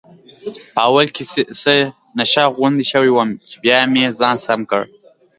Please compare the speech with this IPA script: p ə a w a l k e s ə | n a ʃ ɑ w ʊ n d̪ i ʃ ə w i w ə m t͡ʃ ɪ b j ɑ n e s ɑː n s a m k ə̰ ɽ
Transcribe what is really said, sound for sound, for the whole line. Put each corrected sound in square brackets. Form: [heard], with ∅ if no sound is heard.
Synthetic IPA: p ə a w a l k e s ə | n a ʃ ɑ [ɣ] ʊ n d̪ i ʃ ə w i w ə m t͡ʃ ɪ b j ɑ [m] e [z] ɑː n s a m k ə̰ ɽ